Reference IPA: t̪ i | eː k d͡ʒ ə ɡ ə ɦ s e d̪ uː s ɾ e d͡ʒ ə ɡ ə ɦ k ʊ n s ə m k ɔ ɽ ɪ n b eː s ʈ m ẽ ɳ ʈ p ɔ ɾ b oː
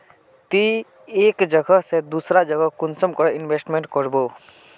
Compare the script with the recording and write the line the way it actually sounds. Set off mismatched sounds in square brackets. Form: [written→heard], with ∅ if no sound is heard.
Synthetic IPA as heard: t̪ i | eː k d͡ʒ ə ɡ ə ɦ s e d̪ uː s ɾ [e→a] d͡ʒ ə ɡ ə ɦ k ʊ n s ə m k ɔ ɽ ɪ n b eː s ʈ m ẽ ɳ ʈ [p→k] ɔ ɾ b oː